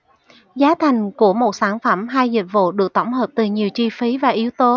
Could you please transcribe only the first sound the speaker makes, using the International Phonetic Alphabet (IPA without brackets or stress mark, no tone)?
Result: z